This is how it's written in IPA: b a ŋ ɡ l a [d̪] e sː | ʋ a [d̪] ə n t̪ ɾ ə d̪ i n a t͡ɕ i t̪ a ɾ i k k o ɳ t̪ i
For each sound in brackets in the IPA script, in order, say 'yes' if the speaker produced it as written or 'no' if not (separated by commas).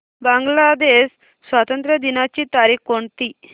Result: yes, no